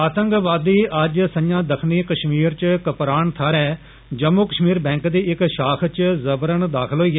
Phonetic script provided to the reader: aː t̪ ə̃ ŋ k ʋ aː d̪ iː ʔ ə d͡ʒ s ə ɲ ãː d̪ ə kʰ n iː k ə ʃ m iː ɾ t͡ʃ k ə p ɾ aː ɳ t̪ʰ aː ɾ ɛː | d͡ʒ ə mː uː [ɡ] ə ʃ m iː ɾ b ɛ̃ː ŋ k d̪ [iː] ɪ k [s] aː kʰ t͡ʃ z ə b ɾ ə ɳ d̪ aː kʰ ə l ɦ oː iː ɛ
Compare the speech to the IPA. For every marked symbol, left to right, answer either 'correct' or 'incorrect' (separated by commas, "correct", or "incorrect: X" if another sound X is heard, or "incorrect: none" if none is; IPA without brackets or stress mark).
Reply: incorrect: k, correct, incorrect: ʃ